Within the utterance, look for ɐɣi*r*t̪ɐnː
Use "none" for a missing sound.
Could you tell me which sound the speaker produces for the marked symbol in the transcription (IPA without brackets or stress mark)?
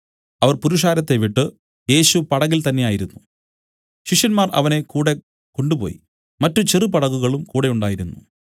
l